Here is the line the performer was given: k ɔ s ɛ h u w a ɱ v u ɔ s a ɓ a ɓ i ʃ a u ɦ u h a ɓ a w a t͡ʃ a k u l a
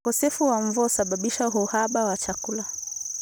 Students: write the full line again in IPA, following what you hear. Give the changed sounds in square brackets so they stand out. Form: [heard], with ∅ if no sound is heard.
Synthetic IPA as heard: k ɔ s ɛ [f] u w a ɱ v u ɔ s a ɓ a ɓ i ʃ a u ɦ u h a ɓ a w a t͡ʃ a k u l a